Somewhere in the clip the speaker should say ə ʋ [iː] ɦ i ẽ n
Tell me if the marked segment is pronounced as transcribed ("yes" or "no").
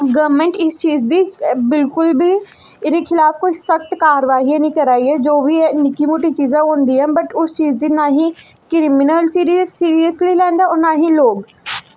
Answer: no